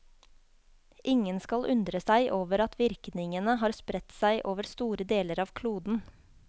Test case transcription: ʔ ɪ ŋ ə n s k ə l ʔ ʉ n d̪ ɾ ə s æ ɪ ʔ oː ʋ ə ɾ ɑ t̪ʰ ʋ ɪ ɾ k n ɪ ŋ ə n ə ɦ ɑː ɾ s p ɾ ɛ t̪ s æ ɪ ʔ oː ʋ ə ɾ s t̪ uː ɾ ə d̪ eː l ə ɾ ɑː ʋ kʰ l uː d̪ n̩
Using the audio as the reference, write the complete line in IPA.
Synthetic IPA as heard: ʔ ɪ ŋ ə n s k ɑ l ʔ ʉ n d̪ ɾ ə s æ ɪ ʔ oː ʋ ə ɾ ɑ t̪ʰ ʋ ɪ ɾ k n ɪ ŋ ə n ə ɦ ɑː ɾ s p ɾ ɛ t̪ s æ ɪ ʔ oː ʋ ə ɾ s t̪ uː ɾ ə d̪ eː l ə ɾ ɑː ʋ kʰ l uː d̪ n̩